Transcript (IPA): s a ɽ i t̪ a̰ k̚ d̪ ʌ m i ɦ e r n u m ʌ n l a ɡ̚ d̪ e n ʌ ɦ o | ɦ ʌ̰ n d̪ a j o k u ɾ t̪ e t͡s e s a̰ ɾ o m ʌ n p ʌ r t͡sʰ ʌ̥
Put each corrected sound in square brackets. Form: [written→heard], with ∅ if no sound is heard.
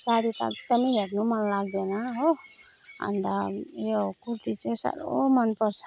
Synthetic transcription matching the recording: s a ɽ i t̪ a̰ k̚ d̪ ʌ m i ɦ e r n u m ʌ n l a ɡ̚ d̪ e n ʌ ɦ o | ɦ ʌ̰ n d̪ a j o k u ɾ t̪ [e→i] t͡s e s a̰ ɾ o m ʌ n p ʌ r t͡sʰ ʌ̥

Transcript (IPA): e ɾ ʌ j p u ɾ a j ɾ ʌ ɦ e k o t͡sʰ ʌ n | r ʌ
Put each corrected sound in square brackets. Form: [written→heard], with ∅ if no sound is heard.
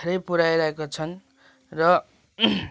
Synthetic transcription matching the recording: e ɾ ʌ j p u ɾ a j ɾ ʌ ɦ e k o t͡sʰ ʌ n | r ʌ

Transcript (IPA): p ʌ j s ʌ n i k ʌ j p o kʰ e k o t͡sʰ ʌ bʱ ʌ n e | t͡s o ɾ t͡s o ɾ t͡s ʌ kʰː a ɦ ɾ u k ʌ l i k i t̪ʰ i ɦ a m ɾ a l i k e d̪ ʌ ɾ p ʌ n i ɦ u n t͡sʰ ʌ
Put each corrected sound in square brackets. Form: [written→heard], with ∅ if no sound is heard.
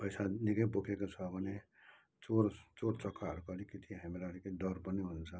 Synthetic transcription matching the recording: p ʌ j s [ʌ→a] n i k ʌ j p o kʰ e k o t͡sʰ ʌ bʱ ʌ n e | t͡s o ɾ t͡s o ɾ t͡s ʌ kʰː a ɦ ɾ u k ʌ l i k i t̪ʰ i ɦ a m ɾ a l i k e d̪ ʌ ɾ p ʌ n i ɦ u n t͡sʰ ʌ

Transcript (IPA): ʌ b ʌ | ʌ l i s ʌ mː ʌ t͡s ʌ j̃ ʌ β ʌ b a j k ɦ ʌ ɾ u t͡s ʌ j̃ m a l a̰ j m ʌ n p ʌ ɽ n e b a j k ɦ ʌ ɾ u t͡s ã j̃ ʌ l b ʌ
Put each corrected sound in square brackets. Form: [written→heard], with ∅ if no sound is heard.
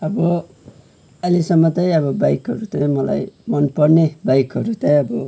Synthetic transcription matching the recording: ʌ b ʌ | ʌ l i s ʌ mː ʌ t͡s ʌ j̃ ʌ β ʌ b a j k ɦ ʌ ɾ u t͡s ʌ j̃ m [a→ʌ] l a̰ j m ʌ n p ʌ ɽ n e b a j k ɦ ʌ ɾ u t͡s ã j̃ ʌ [l→∅] b ʌ

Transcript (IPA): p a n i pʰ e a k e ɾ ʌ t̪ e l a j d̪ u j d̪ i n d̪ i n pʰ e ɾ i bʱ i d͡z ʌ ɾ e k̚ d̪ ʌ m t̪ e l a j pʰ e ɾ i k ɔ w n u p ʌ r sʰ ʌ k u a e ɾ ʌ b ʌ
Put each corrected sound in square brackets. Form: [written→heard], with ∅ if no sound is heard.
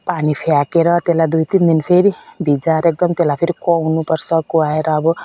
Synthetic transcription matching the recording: p a n i pʰ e a k e ɾ ʌ t̪ e l a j d̪ u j [d̪→t̪] i n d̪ i n pʰ e ɾ i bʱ i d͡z [ʌ→a] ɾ e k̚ d̪ ʌ m t̪ e l a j pʰ e ɾ i k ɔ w n u p ʌ r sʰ ʌ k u a e ɾ [ʌ→ʌː] b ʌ

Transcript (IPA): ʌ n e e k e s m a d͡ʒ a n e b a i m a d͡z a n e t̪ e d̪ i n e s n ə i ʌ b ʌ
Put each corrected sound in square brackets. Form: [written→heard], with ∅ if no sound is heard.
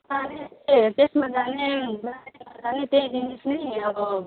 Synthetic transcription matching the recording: [ʌ→a] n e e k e s m a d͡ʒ a n e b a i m a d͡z a n e t̪ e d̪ i n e s n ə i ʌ b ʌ

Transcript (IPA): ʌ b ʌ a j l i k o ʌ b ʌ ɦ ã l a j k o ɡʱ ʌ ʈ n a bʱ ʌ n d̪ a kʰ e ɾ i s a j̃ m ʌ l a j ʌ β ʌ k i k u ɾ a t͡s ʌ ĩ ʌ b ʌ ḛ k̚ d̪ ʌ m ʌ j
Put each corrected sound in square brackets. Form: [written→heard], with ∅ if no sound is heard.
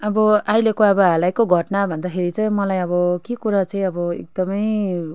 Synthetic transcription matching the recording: ʌ b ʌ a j l [i→e] k o ʌ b ʌ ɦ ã l a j k o ɡʱ ʌ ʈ n a bʱ ʌ n d̪ a kʰ e ɾ i [s→t͡s] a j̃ m ʌ l a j ʌ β ʌ k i k u ɾ a t͡s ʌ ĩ ʌ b ʌ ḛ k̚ d̪ ʌ m ʌ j

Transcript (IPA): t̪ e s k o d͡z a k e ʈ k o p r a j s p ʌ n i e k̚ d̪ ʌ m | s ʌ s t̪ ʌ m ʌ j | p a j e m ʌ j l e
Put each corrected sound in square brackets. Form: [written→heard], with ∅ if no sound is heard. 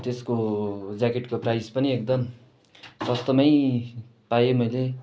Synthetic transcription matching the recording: t̪ e s k o d͡z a k e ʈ k o p r a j s p ʌ n i e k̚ d̪ ʌ m | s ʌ s t̪ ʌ m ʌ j | p a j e m ʌ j l e

